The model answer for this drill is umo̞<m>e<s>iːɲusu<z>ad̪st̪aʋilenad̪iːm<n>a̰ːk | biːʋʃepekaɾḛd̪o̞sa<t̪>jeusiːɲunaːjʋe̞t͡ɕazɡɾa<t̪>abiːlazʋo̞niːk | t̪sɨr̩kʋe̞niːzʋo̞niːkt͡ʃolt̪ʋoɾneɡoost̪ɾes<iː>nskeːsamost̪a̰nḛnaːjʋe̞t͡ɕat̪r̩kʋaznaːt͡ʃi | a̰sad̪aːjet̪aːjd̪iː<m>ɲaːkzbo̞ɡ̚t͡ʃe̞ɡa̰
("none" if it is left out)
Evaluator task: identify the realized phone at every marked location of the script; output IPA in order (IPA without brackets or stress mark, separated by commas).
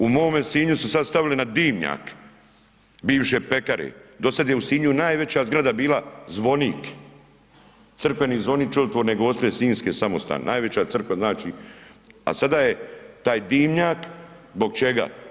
m, s, s, ɲ, d̪, d̪, iː, m